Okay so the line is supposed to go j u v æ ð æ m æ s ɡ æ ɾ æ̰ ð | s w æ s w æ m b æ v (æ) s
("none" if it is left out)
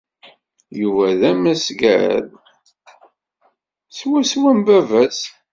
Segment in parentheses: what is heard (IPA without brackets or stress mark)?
æ